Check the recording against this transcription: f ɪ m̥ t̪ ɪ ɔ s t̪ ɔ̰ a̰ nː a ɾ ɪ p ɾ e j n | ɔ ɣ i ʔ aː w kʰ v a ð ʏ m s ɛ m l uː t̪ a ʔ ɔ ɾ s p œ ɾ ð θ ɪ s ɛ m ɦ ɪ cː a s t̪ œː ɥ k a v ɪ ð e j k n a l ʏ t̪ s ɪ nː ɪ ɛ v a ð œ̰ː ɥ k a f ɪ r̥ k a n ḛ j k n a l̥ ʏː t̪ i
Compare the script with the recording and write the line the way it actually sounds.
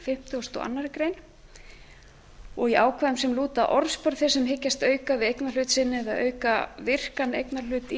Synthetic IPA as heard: f ɪ m̥ t̪ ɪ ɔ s t̪ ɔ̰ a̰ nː a ɾ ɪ k ɾ e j n | ɔ ɣ i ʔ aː w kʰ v a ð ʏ m s ɛ m l uː t̪ a ʔ ɔ ɾ s p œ ɾ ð θ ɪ s ɛ m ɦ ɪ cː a s t̪ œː ɥ k a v ɪ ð e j k n a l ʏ t̪ s ɪ nː ɪ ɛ ð a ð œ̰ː ɥ k a v ɪ r̥ k a n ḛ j k n a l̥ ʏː t̪ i

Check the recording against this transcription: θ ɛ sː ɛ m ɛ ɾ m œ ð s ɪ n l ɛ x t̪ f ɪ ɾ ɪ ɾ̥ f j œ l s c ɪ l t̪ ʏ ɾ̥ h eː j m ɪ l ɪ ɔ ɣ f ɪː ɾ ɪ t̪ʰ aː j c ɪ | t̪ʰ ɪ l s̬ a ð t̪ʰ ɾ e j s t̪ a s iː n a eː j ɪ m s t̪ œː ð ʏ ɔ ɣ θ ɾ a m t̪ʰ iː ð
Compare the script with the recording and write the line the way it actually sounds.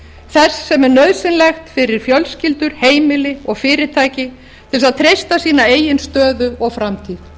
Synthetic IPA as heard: θ ɛ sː ɛ m ɛ ɾ n œ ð s ɪ n l ɛ x t̪ f ɪ ɾ ɪ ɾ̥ f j œ l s c ɪ l t̪ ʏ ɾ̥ h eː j m ɪ l ɪ ɔ ɣ f ɪː ɾ ɪ t̪ʰ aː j c ɪ | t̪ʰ ɪ l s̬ a ð t̪ʰ ɾ e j s t̪ a s iː n a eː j ɪ n s t̪ œː ð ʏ ɔ ɣ f ɾ a m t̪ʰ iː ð

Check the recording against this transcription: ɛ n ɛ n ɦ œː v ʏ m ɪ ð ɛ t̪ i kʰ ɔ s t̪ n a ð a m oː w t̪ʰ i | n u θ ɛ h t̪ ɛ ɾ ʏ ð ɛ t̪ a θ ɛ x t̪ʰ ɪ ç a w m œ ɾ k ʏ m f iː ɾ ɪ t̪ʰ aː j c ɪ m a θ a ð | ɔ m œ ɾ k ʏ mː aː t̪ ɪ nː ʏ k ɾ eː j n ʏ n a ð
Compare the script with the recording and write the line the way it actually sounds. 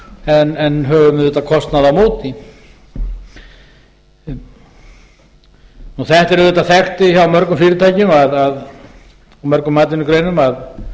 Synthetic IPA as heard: ɛ n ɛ n ɦ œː v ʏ m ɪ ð ɛ t̪ a kʰ ɔ s t̪ n a ð a m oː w t̪ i | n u θ ɛ h t̪ ɛ ɾ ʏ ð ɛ t̪ a θ ɛ x t̪ ɪ ç a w m œ ɾ k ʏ m f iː ɾ ɪ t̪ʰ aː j c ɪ m a ð a ð | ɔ m œ ɾ k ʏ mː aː t̪ ɪ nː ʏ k ɾ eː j n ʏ m a ð

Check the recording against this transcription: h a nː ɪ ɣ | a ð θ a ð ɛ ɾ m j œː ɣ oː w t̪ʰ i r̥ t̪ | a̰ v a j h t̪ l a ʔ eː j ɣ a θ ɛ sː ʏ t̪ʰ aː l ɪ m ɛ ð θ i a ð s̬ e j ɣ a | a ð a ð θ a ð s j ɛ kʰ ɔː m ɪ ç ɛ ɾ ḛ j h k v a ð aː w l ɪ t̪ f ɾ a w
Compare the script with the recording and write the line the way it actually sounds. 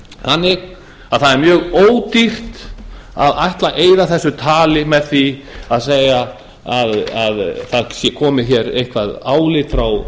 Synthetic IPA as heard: h a nː ɪ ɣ | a ð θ a ð ɛ ɾ m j œː ɣ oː w t̪ i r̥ t̪ | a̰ ð a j h t̪ l a ʔ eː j ð a θ ɛ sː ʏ t̪ʰ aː l ɪ m ɛ ð θ i a ð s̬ e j ɣ a | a ð a ð θ a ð s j ɛ kʰ ɔː m ɪ ç ɛ ɾ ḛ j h k v a ð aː w l ɪ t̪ f ɾ a w

